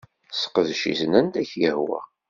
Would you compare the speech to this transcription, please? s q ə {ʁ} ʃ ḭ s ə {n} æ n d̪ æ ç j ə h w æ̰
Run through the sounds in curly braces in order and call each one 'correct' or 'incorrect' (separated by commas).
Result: incorrect, correct